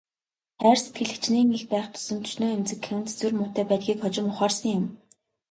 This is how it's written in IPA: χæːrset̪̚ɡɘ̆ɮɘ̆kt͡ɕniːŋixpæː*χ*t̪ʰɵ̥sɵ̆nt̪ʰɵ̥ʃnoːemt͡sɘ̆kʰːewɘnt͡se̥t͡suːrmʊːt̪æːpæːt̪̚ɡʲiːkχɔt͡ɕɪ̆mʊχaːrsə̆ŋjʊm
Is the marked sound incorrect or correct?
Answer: correct